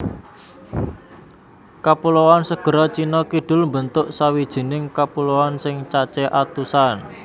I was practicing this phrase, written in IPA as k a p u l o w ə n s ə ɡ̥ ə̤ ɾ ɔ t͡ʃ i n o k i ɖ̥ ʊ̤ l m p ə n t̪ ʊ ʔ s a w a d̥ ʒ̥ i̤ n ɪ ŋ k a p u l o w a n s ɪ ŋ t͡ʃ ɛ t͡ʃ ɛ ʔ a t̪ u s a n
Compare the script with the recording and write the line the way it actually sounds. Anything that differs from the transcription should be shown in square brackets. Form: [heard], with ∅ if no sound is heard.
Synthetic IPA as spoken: k a p u l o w [a] n s ə ɡ̥ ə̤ ɾ ɔ t͡ʃ i n [ɔ] k i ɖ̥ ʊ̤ l m [b] ə n t̪ ʊ ʔ s a w [i] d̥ ʒ̥ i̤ n ɪ ŋ k a p u l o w a n s ɪ ŋ t͡ʃ [a] t͡ʃ ɛ ʔ a t̪ u s a n